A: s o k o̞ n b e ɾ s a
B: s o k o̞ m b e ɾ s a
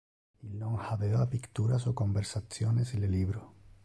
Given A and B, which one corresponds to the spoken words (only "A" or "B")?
B